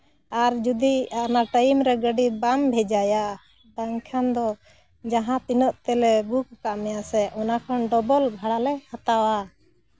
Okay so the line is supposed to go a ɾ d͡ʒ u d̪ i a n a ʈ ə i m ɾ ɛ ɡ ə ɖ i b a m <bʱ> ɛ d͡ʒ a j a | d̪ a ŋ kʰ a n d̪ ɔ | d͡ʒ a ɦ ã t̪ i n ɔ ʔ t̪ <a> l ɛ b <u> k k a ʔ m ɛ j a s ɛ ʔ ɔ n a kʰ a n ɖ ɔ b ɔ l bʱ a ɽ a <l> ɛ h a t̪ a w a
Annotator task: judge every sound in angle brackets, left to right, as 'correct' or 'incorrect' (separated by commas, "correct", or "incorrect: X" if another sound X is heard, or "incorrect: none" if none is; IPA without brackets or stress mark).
correct, incorrect: ɛ, correct, correct